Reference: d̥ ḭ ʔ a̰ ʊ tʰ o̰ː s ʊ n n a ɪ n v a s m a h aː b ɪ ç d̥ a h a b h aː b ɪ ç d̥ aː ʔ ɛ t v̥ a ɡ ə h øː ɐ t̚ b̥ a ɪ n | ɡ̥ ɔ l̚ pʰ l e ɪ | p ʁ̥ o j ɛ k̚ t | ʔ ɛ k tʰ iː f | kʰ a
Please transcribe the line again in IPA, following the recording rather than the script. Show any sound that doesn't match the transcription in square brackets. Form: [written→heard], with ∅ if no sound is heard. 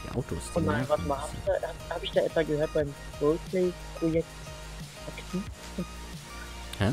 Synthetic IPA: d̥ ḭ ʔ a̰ ʊ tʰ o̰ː s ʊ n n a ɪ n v a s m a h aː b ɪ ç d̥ a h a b h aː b ɪ ç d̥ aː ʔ ɛ t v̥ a ɡ ə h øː ɐ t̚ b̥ a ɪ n | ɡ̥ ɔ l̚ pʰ l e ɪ | p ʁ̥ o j ɛ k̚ t | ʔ [ɛ→a] k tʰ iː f | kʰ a